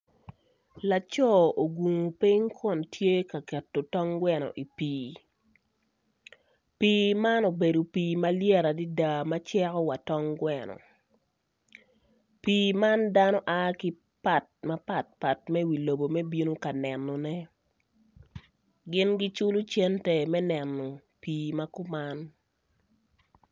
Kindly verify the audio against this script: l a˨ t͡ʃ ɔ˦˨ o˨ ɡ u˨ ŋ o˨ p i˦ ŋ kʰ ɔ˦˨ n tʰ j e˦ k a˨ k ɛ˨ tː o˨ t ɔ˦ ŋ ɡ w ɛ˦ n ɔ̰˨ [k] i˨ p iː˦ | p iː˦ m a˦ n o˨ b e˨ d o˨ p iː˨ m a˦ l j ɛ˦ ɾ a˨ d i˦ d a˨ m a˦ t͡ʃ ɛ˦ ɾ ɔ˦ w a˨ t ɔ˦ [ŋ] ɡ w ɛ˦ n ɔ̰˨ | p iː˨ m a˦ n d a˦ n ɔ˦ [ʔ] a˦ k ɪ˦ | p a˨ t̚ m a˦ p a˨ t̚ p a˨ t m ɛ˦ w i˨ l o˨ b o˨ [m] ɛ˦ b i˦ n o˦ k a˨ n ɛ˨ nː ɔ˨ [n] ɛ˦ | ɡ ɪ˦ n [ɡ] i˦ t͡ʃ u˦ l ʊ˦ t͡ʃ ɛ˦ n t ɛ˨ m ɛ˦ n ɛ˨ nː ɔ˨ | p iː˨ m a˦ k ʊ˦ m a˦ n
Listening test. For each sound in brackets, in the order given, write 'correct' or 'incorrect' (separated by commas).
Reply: incorrect, correct, correct, correct, correct, correct